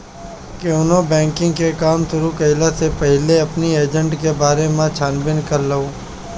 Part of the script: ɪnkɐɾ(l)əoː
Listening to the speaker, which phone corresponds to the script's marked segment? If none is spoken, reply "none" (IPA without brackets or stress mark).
l